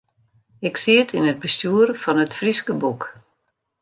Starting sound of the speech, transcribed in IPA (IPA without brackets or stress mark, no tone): ɪ